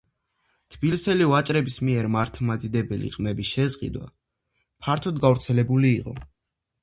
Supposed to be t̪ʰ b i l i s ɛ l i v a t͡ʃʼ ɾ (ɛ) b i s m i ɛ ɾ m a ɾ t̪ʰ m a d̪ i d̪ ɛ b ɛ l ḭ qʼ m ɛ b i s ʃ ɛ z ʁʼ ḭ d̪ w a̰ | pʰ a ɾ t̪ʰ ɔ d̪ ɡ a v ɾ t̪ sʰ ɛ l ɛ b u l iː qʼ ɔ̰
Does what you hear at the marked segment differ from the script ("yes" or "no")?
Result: no